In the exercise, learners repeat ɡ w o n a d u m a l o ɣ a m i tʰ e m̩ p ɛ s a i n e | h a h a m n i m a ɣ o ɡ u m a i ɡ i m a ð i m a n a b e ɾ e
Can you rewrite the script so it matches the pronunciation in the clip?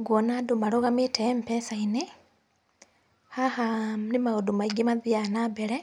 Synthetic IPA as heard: ɡ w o n a d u m a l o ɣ a m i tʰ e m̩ p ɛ s a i n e | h a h a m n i m a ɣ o d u m a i ɡ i m a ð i a n a b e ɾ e